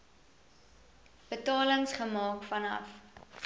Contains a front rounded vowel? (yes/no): no